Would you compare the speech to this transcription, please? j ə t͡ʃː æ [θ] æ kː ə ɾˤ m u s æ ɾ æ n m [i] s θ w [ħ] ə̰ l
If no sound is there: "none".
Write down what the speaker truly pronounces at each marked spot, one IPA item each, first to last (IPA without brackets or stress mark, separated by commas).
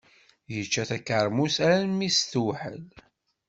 θ, i, ħ